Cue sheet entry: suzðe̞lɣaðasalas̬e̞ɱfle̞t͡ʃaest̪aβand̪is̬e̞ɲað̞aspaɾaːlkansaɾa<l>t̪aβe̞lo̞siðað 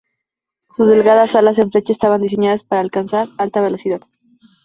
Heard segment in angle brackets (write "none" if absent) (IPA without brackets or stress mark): l